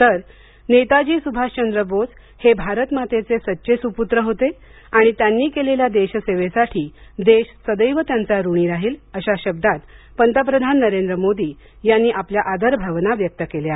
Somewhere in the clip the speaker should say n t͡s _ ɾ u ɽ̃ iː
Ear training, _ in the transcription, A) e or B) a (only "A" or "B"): B